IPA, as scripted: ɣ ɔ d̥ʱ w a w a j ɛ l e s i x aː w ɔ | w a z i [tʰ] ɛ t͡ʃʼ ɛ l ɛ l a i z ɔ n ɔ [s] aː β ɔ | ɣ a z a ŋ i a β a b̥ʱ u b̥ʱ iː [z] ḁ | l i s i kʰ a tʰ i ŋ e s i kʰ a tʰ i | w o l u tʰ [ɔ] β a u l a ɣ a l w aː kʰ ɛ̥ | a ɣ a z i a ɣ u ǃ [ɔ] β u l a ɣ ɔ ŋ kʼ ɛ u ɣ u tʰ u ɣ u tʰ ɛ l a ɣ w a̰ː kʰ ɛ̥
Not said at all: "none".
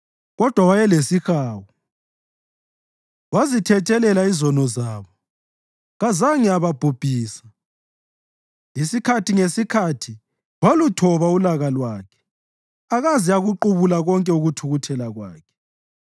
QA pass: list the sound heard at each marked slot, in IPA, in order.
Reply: tʰ, z, s, ɔ, u

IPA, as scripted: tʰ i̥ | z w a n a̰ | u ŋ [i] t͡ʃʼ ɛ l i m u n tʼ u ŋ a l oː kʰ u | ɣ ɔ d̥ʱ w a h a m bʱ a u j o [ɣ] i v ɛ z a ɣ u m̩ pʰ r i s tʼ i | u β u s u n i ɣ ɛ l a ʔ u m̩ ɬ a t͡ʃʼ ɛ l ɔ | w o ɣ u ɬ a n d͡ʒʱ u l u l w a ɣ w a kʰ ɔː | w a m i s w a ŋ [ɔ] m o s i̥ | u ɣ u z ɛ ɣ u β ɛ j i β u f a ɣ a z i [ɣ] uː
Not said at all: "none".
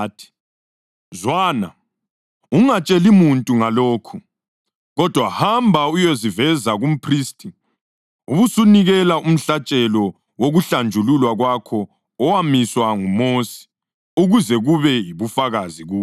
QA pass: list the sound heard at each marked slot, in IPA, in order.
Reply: a, z, u, ɣ

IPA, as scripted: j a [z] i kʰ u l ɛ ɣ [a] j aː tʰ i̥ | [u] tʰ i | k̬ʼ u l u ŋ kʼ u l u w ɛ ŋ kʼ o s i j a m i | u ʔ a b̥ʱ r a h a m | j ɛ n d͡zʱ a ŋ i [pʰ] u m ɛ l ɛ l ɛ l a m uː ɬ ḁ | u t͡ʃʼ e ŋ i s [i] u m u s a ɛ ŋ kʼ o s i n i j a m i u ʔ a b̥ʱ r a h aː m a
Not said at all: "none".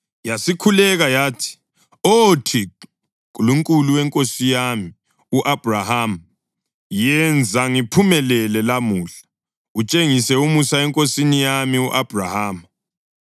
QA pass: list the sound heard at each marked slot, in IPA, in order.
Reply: s, a, o, pʰ, ɛ

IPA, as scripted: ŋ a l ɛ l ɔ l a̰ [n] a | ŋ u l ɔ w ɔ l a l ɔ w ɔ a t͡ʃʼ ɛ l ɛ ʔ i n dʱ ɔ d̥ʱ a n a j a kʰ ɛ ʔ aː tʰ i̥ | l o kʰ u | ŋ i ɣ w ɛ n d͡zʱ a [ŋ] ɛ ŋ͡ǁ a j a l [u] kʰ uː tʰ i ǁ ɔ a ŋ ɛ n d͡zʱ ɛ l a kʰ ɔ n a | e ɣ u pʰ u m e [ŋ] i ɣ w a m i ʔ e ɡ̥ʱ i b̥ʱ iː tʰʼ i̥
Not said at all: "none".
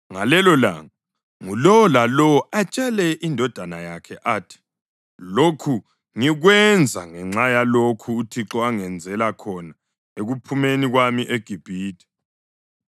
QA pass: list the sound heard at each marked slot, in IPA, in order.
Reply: ŋ, ŋ, o, n

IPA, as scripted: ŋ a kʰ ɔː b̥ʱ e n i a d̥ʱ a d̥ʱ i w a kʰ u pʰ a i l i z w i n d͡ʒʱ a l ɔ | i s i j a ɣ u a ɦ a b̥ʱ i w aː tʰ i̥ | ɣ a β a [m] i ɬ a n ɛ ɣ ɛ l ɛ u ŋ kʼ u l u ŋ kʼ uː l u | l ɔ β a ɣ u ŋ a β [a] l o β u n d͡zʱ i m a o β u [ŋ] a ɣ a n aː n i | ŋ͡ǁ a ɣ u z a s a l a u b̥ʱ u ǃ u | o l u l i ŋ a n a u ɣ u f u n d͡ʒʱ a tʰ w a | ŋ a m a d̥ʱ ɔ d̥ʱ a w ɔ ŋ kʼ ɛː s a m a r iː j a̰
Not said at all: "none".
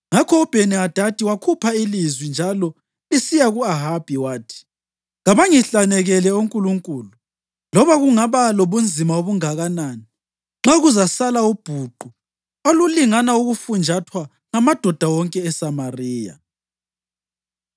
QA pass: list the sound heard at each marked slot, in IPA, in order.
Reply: ŋ, a, ŋ

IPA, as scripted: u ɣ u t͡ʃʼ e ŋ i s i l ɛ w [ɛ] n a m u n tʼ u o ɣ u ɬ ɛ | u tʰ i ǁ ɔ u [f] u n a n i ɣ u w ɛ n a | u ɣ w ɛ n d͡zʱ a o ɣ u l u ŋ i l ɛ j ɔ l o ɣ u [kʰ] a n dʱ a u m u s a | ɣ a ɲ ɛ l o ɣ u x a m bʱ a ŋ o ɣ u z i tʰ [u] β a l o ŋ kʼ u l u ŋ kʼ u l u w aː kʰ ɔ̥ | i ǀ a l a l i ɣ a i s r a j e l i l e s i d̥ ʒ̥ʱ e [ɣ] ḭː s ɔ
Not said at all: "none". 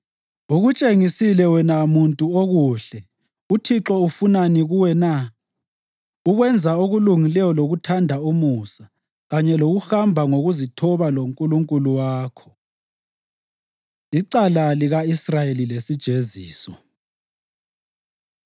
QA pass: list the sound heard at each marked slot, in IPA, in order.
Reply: ɛ, f, tʰ, ɔ, z

